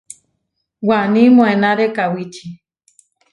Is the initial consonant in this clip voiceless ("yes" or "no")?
no